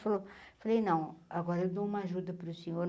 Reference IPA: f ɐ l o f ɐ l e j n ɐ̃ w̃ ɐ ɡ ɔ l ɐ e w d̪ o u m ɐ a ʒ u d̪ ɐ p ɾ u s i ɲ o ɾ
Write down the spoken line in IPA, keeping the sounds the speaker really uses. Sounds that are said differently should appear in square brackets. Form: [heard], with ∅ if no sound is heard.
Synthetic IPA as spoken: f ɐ l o f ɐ l e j n ɐ̃ w̃ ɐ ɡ ɔ [ɾ] ɐ e w d̪ o u m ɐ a ʒ u d̪ ɐ p ɾ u s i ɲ o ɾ